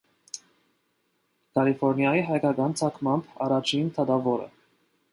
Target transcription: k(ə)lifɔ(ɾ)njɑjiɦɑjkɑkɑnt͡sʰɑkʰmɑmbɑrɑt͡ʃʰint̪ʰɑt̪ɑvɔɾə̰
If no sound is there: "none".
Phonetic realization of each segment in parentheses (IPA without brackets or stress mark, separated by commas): ɑ, ɾ